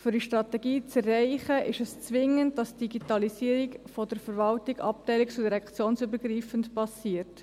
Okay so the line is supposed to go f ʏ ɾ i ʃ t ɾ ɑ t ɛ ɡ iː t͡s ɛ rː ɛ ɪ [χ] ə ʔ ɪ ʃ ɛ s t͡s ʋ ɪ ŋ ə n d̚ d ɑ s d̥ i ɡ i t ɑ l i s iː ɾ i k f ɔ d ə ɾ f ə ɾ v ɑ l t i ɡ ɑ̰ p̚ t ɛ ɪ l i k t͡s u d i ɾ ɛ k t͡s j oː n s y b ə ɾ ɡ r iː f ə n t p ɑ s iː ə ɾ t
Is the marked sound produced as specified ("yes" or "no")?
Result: yes